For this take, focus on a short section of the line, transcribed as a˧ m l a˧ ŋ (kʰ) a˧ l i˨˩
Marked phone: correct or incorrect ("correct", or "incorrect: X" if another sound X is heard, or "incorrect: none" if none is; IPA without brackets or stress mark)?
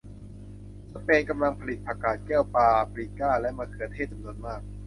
incorrect: pʰ